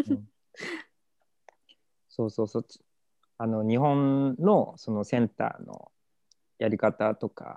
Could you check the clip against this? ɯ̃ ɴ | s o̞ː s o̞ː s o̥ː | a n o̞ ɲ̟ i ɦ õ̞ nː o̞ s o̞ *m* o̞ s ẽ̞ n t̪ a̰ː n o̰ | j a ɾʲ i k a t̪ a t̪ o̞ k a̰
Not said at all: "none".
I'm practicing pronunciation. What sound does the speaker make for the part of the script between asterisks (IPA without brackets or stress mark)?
n